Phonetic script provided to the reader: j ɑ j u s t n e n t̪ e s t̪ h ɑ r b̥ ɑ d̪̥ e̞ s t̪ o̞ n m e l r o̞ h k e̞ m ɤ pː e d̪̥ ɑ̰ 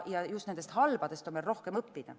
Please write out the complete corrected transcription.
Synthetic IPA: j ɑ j u s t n e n d̪ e s t̪ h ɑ l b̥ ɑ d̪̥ e̞ s t̪ o̞ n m e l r o̞ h k e̞ m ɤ pː i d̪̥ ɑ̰